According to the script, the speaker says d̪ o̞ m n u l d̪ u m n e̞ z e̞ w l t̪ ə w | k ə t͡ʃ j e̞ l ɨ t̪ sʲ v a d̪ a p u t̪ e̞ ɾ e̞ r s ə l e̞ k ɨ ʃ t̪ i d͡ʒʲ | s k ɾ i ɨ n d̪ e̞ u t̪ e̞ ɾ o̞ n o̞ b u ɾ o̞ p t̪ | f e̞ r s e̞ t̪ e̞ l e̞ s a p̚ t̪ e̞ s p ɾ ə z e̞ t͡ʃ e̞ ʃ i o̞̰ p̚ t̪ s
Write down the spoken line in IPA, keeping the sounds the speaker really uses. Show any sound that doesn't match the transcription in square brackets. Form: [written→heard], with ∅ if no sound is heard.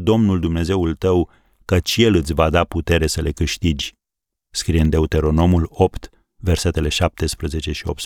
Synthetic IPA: d̪ o̞ m n u l d̪ u m n e̞ z e̞ [w→u] l t̪ ə w | k ə t͡ʃ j e̞ l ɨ t̪ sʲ v a d̪ a p u t̪ e̞ ɾ e̞ [r→∅] s ə l e̞ k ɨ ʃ t̪ i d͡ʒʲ | s k ɾ i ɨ n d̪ e̞ u t̪ e̞ ɾ o̞ n o̞ [b→m] u [ɾ→l] o̞ p t̪ | [f→v] e̞ r s e̞ t̪ e̞ l e̞ [s→ʃ] a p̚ t̪ e̞ s p ɾ ə z e̞ t͡ʃ e̞ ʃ i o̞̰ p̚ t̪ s